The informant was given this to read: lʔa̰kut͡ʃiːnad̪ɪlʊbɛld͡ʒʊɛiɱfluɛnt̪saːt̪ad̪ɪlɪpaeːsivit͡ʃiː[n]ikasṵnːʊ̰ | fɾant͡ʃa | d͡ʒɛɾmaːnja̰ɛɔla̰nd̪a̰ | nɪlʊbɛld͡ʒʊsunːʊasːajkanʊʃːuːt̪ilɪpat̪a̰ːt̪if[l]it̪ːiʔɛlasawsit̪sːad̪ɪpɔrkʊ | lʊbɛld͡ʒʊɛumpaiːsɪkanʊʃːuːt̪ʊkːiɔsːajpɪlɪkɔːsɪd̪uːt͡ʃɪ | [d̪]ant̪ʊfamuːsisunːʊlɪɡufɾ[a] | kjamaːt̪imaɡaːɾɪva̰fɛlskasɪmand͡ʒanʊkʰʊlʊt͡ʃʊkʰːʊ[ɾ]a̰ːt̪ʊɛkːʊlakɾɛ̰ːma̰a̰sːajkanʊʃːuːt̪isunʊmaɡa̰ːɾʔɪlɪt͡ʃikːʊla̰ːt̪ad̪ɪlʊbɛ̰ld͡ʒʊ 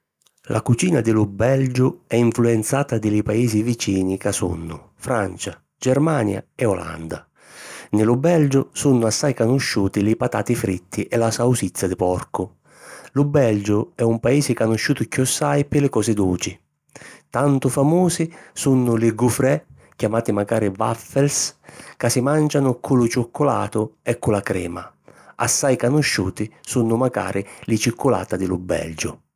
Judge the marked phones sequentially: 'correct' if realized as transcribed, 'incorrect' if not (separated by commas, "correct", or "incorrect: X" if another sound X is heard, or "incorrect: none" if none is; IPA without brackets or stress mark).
correct, incorrect: ɾ, incorrect: t̪, incorrect: ɛ, incorrect: l